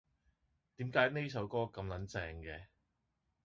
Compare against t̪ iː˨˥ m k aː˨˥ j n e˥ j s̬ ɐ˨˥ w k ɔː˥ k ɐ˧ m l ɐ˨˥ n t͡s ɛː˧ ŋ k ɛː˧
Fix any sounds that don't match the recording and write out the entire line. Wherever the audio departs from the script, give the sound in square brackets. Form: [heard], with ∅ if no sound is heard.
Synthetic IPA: t̪ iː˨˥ m k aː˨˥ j n e˥ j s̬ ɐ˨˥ w k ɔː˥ k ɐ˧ m l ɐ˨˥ n t͡s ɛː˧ ŋ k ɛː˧